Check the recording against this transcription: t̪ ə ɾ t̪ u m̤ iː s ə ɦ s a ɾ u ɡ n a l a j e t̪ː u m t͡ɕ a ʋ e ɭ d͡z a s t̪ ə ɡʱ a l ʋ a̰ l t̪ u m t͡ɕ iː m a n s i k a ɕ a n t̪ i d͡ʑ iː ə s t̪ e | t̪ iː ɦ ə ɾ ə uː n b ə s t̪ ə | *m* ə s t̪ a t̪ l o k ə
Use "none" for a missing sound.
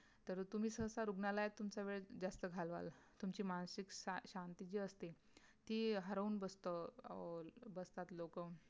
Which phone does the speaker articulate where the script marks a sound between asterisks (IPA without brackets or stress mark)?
b